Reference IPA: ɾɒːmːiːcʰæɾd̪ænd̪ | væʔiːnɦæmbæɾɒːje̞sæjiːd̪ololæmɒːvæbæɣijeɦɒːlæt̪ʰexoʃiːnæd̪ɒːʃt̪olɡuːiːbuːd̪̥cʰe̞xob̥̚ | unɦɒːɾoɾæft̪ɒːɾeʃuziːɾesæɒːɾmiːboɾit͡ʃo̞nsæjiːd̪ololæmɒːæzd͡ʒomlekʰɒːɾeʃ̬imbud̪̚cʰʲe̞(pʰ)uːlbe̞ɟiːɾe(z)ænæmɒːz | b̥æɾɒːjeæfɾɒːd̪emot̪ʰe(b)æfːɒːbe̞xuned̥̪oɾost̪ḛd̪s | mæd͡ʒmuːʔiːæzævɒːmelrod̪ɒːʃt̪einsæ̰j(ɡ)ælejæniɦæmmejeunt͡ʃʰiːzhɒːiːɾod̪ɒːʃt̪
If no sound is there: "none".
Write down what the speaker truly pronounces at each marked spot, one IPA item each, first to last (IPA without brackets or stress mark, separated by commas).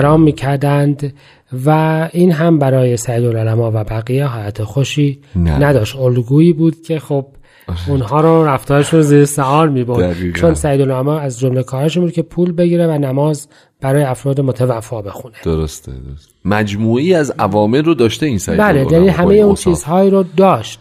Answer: pʰ, v, v, b